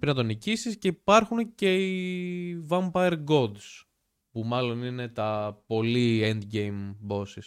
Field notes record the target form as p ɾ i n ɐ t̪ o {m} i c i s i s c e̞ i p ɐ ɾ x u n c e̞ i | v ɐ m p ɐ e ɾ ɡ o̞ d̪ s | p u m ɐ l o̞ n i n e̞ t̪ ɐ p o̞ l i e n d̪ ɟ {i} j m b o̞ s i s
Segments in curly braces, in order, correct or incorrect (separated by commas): incorrect, incorrect